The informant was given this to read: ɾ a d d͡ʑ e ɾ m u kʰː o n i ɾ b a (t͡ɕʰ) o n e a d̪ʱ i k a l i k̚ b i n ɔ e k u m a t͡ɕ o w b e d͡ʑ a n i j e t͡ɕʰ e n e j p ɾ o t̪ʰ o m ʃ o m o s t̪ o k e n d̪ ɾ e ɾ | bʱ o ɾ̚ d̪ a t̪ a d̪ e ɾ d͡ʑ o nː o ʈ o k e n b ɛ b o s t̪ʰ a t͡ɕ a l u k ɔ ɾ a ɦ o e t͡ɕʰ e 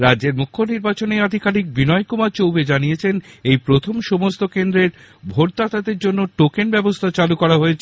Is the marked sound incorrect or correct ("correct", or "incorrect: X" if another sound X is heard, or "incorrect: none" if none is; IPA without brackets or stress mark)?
incorrect: t͡ɕ